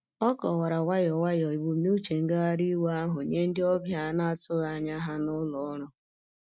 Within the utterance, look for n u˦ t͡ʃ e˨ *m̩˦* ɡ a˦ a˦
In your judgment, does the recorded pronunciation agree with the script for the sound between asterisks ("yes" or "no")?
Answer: no